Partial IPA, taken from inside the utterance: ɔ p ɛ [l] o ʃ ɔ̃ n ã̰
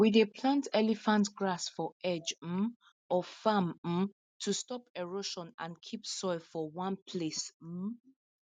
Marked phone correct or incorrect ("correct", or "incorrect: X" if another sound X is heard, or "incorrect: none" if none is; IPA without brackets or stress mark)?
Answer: incorrect: ɹ